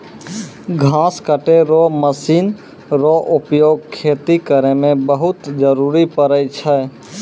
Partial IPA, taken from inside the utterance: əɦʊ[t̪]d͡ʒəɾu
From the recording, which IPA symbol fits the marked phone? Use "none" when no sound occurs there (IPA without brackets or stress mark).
t̪